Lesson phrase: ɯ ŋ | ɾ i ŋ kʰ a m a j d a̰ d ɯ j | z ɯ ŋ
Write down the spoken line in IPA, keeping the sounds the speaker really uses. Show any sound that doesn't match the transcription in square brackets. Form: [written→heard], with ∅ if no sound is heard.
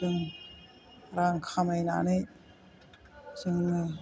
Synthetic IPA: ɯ ŋ | ɾ [i→a] ŋ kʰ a m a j [d→n] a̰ [d→n] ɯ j | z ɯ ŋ